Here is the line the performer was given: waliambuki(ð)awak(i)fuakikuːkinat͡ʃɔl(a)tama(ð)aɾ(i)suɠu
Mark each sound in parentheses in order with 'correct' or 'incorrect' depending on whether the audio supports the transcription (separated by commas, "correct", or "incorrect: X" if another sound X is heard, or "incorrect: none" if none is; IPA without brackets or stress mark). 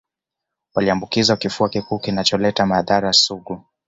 incorrect: z, correct, incorrect: ɛ, correct, incorrect: a